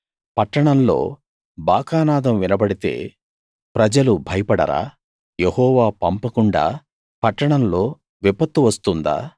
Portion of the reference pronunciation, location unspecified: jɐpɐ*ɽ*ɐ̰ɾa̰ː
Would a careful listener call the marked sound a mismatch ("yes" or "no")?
no